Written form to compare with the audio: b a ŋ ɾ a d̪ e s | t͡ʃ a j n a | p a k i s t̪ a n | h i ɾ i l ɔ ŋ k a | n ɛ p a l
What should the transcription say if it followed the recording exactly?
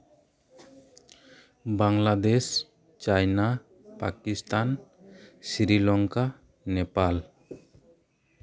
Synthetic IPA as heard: b a ŋ l a d̪ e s | t͡ʃ a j n a | p a k i s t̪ a n | s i ɾ i l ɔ ŋ k a | n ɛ p a l

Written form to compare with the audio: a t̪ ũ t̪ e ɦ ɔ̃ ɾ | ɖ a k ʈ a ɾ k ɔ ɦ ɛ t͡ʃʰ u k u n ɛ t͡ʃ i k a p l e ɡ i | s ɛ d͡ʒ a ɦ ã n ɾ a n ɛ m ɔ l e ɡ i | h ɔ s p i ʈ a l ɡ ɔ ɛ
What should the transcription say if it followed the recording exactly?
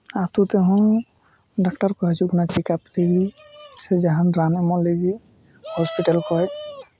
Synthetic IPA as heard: a t̪ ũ t̪ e ɦ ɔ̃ | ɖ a k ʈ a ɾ k ɔ ɦ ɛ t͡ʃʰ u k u n a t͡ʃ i k a p l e ɡ i | s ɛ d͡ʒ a ɦ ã n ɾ a n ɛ m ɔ l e ɡ i | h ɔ s p i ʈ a l k ɔ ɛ

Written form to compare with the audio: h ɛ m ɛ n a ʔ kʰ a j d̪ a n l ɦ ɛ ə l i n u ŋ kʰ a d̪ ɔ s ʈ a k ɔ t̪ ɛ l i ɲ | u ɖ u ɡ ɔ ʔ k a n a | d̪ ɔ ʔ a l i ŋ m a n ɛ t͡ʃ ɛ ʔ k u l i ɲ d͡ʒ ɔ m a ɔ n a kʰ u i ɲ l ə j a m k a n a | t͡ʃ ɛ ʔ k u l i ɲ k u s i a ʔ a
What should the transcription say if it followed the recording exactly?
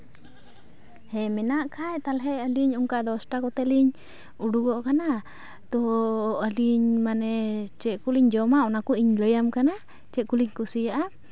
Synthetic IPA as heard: h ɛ m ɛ n a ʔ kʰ a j t̪ a l ɦ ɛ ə l i ɲ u ŋ k a d̪ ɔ s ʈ a k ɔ t̪ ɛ l i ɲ | u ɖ u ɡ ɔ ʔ k a n a | t̪ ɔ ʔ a l i ɲ m a n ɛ t͡ʃ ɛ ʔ k u l i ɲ d͡ʒ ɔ m a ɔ n a k u i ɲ l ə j a m k a n a | t͡ʃ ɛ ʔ k u l i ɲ k u s i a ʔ a

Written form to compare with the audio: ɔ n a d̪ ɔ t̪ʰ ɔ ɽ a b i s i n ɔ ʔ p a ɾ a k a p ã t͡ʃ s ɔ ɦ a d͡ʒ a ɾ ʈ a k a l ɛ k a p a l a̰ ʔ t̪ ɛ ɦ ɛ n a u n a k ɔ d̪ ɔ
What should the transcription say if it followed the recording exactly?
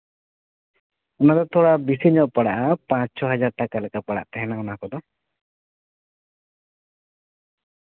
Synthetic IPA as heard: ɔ n a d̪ ɔ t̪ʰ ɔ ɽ a b i s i ɲ ɔ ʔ p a ɽ a ʔ a p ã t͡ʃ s ɔ ɦ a d͡ʒ a ɾ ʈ a k a l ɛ k a p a ɽ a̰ ʔ t̪ ɛ ɦ ɛ n a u n a k ɔ d̪ ɔ

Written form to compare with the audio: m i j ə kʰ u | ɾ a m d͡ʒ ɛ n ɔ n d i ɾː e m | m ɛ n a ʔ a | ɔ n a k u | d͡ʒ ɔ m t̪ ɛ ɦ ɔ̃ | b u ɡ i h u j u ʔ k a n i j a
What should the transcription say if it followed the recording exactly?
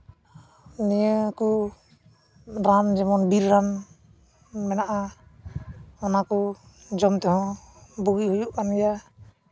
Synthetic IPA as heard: n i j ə k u | ɾ a m d͡ʒ ɛ m ɔ n b i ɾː a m | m ɛ n a ʔ a | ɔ n a k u | d͡ʒ ɔ m t̪ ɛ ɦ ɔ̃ | b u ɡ i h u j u ʔ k a n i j a

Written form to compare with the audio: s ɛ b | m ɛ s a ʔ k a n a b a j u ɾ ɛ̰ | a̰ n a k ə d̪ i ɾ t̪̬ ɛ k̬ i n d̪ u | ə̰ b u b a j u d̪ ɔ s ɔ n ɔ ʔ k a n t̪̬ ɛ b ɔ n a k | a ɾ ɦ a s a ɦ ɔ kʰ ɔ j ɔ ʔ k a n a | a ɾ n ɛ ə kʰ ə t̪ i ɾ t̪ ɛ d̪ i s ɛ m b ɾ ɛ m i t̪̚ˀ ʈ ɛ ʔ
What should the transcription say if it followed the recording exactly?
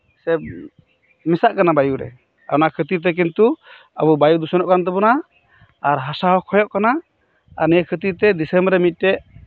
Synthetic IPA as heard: s ɛ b | m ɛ s a ʔ k a n a b a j u ɾ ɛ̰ | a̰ n a kʰ ə t̪ i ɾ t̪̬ ɛ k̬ i n t̪ u | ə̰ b u b a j u d̪ u s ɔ n ɔ ʔ k a n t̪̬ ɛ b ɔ n a | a ɾ ɦ a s a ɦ ɔ kʰ ɔ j ɔ ʔ k a n a | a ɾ n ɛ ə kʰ ə t̪ i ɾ t̪ ɛ d̪ i s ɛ m b ɾ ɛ m i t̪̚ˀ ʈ ɛ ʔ

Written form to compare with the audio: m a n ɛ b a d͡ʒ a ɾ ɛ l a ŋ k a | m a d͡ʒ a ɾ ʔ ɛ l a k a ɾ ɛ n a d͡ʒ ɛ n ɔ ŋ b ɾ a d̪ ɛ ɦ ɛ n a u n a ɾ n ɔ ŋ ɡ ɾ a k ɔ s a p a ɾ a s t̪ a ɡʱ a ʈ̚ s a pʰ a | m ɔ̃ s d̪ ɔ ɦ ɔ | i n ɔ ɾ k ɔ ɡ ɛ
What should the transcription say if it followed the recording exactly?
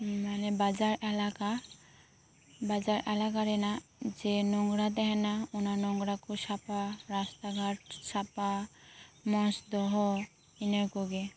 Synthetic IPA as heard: m a n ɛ b a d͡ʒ a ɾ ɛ l a k a | b a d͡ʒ a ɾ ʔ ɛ l a k a ɾ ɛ n a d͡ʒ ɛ n ɔ ŋ ɡ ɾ a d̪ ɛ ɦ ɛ n a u n a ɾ n ɔ ŋ ɡ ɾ a k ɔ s a p a ɾ a s t̪ a ɡʱ a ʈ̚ s a p a | m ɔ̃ s d̪ ɔ ɦ ɔ | i n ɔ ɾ k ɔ ɡ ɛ

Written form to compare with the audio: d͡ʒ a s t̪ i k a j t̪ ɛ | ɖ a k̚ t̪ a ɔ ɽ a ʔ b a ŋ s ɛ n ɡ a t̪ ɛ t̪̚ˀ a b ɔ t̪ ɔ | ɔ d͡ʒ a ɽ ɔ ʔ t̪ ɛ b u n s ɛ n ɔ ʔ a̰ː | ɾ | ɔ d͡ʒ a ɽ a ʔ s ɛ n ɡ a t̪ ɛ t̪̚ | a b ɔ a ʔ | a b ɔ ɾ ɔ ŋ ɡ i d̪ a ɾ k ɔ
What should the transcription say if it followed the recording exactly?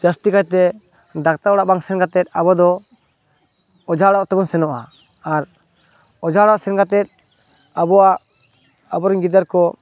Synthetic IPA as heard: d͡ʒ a s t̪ i k a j t̪ ɛ | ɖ a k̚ t̪ a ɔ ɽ a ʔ b a ŋ s ɛ n ɡ a t̪ ɛ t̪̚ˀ a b ɔ d̪ ɔ | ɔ d͡ʒ a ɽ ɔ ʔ t̪ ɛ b ɔ n s ɛ n ɔ ʔ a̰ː | ɾ | ɔ d͡ʒ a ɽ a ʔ s ɛ n ɡ a t̪ ɛ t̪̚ | a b ɔ a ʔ | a b ɔ ɾ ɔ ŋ ɡ i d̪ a ɾ k ɔ

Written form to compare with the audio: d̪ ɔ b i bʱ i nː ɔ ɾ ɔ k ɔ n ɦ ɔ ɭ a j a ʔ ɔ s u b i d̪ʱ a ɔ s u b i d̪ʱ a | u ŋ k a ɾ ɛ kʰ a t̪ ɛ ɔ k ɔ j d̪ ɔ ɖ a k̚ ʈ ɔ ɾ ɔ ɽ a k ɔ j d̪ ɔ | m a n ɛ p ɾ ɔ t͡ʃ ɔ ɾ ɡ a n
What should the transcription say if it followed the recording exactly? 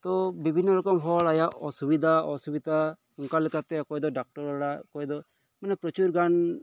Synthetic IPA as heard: t̪ ɔ b i bʱ i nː ɔ ɾ ɔ k ɔ m ɦ ɔ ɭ a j a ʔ ɔ s u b i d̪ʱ a ɔ s u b i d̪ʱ a | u ŋ k a l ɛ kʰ a t̪ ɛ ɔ k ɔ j d̪ ɔ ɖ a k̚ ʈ ɔ ɾ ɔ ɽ a k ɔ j d̪ ɔ | m a n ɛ p ɾ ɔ t͡ʃ u ɾ ɡ a n

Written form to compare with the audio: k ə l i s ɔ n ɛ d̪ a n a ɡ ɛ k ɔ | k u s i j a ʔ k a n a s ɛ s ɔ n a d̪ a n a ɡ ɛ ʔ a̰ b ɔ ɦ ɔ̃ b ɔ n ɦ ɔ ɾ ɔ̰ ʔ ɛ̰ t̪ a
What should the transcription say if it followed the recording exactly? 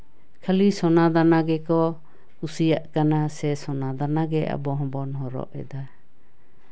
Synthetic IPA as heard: kʰ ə l i s ɔ n a d̪ a n a ɡ ɛ k ɔ | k u s i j a ʔ k a n a s ɛ s ɔ n a d̪ a n a ɡ ɛ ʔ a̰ b ɔ ɦ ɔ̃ b ɔ n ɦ ɔ ɾ ɔ̰ ʔ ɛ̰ d̪ a

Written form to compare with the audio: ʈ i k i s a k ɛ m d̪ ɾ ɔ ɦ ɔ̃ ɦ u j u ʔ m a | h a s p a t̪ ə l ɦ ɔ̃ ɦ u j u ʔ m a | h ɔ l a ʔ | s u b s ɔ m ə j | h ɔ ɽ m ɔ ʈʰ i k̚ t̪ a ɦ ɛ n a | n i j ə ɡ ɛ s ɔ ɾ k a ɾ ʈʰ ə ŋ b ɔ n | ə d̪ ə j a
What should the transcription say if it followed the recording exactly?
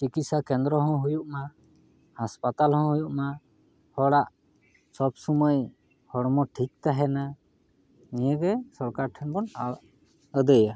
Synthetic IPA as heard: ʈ i k i s a k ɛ n d̪ ɾ ɔ ɦ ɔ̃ ɦ u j u ʔ m a | h a s p a t̪ a l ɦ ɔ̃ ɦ u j u ʔ m a | h ɔ ɽ a ʔ | s ɔ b s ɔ m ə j | h ɔ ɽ m ɔ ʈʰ i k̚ t̪ a ɦ ɛ n a | n i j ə ɡ ɛ s ɔ ɾ k a ɾ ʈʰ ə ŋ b ɔ n | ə d̪ ə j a

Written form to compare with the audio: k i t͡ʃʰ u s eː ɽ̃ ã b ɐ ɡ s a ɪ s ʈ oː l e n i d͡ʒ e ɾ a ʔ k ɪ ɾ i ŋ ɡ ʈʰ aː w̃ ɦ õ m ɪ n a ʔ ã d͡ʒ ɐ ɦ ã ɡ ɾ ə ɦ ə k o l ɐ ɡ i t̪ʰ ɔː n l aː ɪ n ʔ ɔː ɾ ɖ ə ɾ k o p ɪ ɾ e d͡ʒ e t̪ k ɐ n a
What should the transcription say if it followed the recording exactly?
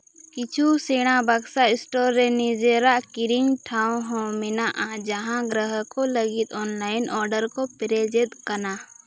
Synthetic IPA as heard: k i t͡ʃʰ u s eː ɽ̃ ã b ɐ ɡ s a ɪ s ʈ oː ɾ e n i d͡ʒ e ɾ a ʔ k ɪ ɾ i ŋ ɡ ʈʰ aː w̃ ɦ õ m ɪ n a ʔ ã d͡ʒ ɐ ɦ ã ɡ ɾ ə ɦ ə k o l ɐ ɡ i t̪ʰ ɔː n l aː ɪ n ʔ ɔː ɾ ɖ ə ɾ k o p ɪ ɾ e d͡ʒ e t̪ k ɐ n a

